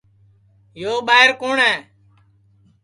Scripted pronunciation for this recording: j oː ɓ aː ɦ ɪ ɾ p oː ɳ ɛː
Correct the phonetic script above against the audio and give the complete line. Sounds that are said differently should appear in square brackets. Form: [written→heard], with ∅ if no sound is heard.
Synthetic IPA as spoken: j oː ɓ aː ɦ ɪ ɾ [p→k] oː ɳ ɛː